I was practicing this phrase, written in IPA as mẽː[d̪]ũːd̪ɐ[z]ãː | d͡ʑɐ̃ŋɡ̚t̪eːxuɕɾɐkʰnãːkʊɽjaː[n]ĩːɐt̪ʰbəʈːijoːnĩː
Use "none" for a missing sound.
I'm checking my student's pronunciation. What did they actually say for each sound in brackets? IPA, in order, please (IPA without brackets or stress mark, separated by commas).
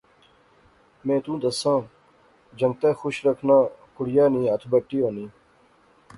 t̪, s, n